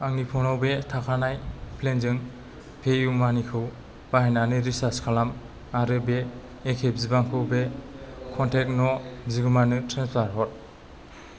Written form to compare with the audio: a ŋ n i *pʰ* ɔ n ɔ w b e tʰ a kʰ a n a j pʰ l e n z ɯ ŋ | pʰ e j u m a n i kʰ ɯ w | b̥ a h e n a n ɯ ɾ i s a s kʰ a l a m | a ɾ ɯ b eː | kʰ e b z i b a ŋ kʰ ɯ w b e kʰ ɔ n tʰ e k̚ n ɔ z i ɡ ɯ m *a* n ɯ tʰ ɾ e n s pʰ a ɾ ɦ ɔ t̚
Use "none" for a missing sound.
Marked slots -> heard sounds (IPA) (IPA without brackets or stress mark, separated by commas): pʰ, a